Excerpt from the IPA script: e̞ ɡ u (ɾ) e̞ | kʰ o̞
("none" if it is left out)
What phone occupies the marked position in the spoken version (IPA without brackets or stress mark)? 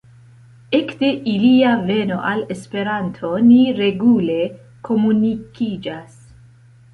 l